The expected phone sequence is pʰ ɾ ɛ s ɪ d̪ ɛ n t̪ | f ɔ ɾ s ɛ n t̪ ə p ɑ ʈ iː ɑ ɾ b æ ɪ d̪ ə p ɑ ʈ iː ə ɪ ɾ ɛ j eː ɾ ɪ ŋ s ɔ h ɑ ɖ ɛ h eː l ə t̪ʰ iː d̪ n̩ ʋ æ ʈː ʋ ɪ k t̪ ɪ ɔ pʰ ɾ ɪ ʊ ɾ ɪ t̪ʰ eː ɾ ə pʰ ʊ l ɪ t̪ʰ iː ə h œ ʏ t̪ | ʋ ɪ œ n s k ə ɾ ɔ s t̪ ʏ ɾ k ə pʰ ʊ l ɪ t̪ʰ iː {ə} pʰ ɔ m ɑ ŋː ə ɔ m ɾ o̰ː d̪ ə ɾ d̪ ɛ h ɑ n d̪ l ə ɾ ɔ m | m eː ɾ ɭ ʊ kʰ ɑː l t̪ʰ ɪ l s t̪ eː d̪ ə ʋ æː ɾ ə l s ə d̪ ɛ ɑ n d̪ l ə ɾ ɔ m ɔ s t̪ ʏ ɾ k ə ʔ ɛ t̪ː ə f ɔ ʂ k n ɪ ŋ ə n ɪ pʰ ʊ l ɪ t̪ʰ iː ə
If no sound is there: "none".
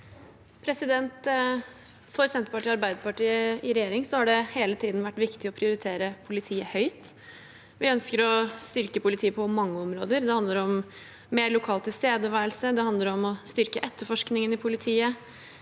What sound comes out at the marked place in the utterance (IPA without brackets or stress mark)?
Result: ə